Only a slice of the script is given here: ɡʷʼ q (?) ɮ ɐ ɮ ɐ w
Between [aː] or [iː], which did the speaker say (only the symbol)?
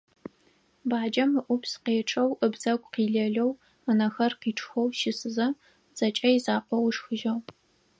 iː